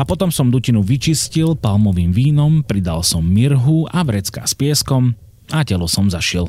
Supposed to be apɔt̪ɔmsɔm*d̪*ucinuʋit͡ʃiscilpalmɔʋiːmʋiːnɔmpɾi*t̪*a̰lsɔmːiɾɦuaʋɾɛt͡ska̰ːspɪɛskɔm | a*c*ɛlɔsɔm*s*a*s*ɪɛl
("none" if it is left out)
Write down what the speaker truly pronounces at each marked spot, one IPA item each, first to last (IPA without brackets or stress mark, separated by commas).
d̪, d̪, c, z, ʃ